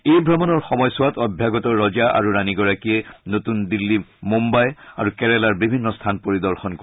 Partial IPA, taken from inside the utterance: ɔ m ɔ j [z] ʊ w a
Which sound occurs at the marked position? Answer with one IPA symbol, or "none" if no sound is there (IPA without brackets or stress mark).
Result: s